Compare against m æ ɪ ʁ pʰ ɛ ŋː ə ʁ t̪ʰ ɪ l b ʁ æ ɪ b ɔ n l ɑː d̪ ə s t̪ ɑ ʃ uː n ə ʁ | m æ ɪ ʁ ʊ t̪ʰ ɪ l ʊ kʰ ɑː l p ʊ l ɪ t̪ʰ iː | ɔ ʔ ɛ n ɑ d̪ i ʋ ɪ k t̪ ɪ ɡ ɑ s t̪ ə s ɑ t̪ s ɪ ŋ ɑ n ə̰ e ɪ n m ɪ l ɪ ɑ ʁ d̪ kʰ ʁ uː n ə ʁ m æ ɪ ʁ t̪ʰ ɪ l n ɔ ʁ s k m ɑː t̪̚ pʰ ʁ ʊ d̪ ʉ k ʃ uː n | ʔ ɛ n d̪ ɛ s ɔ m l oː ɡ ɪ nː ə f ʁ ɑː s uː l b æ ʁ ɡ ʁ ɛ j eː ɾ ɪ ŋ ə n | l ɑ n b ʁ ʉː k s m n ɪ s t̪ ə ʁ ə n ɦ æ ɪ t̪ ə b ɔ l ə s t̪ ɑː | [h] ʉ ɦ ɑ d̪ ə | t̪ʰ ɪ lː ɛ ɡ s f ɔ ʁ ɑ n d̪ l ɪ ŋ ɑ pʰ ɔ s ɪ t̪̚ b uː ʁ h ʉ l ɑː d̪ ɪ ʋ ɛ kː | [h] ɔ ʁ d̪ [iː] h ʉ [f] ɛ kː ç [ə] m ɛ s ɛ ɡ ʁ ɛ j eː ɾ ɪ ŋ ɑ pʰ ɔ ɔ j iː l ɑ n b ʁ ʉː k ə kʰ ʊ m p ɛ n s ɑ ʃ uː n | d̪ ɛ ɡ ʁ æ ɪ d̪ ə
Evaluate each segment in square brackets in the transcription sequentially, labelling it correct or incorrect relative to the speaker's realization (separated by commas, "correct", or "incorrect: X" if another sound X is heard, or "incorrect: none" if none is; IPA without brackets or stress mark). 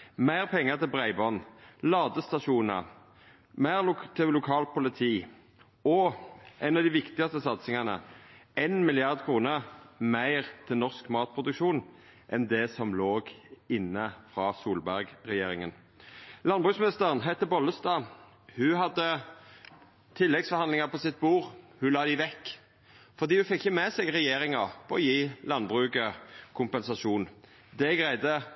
correct, incorrect: f, correct, correct, correct